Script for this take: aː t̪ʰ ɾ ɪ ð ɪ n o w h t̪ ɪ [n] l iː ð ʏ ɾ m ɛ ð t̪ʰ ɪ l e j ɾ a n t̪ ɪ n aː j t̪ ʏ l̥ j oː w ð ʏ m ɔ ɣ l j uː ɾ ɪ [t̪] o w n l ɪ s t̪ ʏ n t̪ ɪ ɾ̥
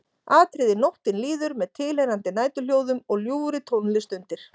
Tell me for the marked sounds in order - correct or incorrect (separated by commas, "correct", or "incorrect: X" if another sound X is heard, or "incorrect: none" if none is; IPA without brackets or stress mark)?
correct, incorrect: t̪ʰ